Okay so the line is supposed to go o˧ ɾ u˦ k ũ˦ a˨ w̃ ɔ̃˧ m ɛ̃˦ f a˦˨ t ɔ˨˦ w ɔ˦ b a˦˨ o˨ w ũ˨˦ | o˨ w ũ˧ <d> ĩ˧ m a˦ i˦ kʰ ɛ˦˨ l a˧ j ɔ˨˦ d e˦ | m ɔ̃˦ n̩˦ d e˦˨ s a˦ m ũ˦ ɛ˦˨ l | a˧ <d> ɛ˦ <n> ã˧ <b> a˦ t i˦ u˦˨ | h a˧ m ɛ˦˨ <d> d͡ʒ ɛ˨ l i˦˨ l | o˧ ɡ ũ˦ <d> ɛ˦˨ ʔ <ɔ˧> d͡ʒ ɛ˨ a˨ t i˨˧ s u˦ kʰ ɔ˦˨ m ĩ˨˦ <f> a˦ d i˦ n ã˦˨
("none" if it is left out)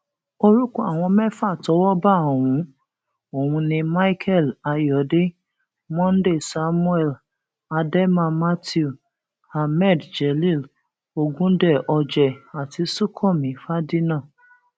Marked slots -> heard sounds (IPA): n, d, m, m, d, d, ɔ˧, f

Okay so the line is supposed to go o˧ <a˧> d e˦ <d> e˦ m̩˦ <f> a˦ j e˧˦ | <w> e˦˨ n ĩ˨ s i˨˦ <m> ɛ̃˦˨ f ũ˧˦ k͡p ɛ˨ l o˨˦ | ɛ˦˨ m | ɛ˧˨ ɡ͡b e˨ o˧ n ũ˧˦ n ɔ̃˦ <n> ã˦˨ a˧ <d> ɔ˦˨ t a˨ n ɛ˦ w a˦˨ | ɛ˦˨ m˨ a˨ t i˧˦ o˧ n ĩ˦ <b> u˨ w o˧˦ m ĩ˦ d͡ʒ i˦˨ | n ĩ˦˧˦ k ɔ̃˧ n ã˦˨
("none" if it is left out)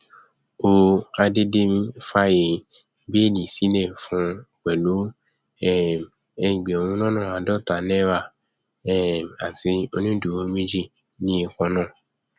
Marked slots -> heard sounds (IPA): a˧, d, f, b, n, n, d, d

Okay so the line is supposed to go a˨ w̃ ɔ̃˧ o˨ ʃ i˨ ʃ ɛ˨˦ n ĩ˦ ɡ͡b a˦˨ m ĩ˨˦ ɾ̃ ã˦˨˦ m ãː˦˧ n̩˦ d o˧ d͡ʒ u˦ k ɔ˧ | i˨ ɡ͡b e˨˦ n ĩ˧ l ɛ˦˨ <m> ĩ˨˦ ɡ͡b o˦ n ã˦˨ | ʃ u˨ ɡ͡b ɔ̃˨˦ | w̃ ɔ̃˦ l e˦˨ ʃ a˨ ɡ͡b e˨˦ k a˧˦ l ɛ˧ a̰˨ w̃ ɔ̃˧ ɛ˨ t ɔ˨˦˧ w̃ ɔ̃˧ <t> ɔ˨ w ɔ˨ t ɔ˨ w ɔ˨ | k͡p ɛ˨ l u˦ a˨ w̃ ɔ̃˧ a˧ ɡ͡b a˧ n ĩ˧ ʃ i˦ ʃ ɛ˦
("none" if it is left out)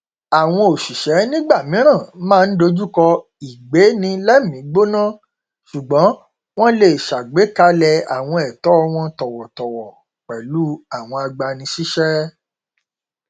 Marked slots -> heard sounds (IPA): m, t

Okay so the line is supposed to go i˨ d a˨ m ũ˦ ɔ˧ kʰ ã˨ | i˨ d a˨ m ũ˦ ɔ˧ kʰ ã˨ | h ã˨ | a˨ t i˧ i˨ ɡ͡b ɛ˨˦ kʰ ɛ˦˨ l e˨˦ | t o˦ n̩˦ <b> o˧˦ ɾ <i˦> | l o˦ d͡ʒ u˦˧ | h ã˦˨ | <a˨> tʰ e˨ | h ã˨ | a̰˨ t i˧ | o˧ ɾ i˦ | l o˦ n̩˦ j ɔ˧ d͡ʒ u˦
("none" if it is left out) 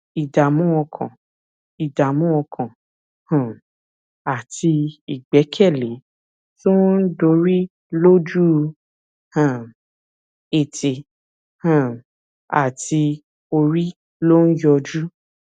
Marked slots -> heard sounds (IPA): d, i˦, e˨

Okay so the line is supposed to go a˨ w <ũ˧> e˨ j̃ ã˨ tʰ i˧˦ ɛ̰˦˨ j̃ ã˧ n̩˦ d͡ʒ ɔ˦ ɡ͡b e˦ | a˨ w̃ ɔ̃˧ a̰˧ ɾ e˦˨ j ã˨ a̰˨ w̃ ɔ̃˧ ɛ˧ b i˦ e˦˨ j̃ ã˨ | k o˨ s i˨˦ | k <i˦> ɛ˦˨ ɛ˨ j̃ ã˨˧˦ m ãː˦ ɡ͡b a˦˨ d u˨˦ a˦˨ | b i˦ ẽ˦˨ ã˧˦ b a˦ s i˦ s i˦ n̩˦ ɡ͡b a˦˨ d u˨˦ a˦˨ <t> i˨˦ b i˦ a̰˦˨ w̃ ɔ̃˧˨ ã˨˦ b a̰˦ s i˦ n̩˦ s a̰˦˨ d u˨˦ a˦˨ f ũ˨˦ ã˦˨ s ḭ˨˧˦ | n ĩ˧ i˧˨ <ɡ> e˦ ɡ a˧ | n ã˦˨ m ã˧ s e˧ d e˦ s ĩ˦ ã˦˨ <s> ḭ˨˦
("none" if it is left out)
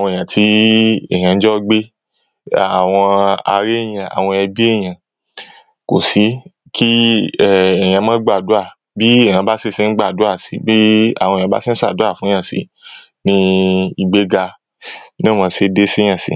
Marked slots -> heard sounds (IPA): ɔ̃˧, i˦, s, ɡ͡b, s

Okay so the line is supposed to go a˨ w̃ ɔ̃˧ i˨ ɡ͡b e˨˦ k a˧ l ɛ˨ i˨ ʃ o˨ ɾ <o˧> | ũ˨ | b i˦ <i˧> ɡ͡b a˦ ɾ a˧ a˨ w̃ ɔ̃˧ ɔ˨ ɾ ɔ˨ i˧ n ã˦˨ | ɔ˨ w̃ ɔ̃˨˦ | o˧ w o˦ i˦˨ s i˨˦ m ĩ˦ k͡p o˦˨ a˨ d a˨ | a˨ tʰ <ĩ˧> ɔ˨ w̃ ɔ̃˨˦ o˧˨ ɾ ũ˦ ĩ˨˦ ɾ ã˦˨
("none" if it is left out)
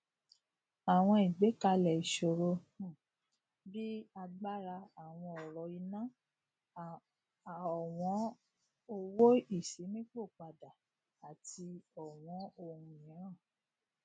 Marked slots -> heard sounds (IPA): o˧, a˧, i˧

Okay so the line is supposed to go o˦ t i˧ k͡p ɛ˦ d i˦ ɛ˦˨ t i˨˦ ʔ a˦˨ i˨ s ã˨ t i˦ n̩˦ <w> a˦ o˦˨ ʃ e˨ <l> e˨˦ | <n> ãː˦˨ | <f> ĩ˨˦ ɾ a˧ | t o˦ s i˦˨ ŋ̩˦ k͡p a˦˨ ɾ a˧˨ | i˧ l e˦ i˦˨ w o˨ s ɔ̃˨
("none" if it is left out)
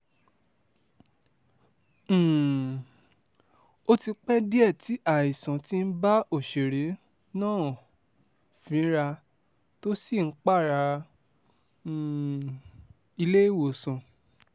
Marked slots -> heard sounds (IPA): b, ɾ, n, f

